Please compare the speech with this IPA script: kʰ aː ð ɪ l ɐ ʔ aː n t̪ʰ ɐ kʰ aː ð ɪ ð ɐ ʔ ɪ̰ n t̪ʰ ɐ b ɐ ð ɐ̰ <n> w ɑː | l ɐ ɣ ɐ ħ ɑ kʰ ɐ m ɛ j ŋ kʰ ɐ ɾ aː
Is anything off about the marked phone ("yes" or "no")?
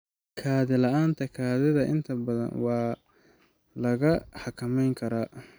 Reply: no